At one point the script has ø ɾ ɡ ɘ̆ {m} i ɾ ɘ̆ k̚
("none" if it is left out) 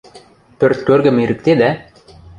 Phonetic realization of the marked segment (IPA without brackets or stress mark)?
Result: m